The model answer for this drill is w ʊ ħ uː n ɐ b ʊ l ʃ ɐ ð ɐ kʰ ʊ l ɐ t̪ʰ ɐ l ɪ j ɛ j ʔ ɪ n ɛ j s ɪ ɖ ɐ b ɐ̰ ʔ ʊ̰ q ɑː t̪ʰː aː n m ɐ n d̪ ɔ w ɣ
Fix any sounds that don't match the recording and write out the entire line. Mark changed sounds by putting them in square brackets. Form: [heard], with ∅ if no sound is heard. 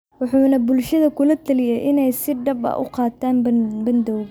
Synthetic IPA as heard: w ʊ ħ uː n ɐ b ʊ l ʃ ɐ ð ɐ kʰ ʊ l ɐ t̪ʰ ɐ l ɪ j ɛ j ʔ ɪ n ɛ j s ɪ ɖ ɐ b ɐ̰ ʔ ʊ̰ q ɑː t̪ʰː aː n [b] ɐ n d̪ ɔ w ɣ